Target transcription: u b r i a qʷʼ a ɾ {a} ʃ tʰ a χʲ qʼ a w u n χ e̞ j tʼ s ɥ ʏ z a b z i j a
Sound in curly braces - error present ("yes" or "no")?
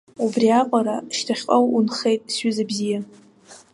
no